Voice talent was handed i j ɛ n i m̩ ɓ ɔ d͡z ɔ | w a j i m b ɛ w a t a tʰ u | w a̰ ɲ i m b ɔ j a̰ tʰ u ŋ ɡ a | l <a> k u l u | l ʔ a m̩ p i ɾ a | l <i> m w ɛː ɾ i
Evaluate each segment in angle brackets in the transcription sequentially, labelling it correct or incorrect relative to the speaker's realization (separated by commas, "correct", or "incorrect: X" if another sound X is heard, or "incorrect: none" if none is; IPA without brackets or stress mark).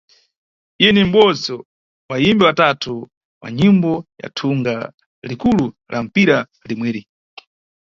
incorrect: i, correct